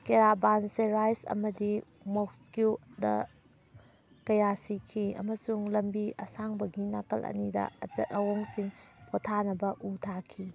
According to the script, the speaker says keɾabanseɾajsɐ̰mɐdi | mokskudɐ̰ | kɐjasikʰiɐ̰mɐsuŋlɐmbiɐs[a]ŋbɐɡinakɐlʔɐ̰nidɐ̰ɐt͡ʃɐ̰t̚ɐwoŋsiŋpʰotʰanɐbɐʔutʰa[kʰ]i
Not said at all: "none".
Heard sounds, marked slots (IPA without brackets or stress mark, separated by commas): a, kʰ